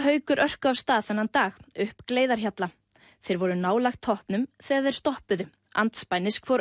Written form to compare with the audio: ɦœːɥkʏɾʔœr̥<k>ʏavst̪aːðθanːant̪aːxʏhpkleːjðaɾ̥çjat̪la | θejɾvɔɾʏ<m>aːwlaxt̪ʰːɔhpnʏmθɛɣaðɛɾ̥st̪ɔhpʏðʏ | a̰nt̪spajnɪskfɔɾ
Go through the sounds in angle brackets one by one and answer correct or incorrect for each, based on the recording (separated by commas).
correct, incorrect